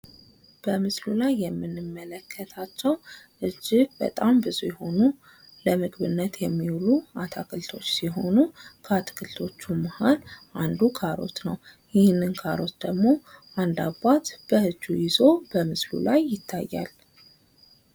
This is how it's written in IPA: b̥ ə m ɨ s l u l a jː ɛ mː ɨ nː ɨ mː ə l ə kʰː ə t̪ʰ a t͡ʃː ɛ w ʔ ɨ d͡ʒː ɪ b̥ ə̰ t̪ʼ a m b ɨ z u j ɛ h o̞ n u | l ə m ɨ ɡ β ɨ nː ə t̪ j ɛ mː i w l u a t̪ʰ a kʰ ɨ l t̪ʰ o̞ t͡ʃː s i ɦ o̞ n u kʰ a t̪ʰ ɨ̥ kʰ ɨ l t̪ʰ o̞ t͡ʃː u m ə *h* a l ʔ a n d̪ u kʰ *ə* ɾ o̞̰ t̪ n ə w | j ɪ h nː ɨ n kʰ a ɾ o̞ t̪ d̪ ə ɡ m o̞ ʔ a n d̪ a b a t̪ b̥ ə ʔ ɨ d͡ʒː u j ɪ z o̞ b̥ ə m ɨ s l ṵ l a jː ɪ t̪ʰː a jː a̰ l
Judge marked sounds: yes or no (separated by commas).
yes, no